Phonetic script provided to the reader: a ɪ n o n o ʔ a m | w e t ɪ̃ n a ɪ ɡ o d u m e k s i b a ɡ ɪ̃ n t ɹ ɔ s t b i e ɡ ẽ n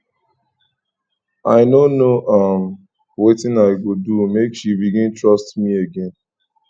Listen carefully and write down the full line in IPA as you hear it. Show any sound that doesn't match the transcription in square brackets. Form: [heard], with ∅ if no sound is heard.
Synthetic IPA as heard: a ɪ n o n o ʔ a m | w e t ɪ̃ n a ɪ ɡ o d u m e k [ʃ] i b [i] ɡ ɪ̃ n t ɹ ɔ s t [m] i e ɡ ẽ n